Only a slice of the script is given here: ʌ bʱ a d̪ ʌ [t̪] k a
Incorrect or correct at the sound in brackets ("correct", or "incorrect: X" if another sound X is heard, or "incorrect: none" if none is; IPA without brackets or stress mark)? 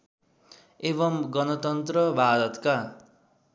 correct